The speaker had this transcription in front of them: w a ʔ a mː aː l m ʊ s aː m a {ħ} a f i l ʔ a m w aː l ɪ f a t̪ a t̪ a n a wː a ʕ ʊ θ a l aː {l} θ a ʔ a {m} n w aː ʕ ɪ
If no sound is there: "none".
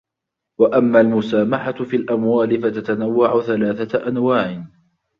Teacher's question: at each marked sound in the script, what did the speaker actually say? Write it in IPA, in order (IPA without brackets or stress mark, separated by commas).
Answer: ħ, none, none